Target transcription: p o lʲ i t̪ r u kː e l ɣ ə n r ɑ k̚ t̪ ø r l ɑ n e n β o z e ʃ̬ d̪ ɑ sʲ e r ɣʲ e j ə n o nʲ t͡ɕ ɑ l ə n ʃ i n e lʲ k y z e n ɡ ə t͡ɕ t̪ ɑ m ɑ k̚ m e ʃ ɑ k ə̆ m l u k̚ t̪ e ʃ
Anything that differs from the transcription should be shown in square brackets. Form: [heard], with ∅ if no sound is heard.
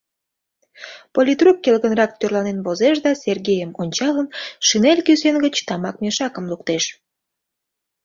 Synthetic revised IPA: p o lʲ i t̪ r u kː e l ɣ ə n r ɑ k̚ t̪ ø r l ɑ n e n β o z e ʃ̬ d̪ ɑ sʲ e r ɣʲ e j ə [m] o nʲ t͡ɕ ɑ l ə n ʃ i n e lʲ k y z e n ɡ ə t͡ɕ t̪ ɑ m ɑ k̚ m e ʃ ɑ k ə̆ m l u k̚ t̪ e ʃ